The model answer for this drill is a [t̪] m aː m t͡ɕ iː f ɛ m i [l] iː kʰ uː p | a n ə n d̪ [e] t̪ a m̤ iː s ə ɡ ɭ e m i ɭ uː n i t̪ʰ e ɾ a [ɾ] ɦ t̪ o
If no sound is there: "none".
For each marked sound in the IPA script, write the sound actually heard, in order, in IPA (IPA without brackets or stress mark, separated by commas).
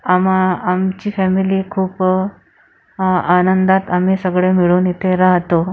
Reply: none, l, a, none